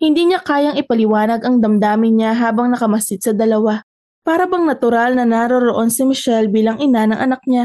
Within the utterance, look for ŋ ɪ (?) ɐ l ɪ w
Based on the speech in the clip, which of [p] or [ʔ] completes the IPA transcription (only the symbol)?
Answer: p